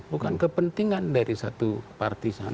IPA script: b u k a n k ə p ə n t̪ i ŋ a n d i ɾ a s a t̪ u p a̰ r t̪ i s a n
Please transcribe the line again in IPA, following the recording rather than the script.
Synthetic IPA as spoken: b u k a n k ə p ə n t̪ i ŋ a n d a ɾ i s a t̪ u p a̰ r t̪ i s a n